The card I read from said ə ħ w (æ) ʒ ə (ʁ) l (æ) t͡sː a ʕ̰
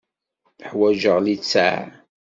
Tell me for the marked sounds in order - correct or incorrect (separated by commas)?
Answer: correct, correct, incorrect